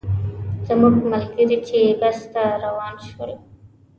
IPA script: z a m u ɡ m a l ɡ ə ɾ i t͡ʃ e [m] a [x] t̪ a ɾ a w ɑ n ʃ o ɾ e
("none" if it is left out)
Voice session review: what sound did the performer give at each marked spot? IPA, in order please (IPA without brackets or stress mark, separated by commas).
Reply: b, s